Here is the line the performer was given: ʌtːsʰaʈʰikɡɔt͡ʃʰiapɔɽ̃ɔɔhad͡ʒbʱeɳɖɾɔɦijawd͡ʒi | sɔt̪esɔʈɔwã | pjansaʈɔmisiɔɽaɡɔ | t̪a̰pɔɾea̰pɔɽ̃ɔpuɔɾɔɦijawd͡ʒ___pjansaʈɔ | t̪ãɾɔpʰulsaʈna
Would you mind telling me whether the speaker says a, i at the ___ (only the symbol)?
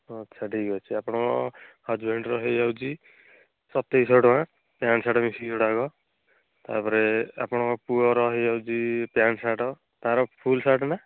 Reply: i